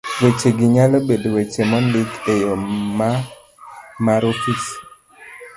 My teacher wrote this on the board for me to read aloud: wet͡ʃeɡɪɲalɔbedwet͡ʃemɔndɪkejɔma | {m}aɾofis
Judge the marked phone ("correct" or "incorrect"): correct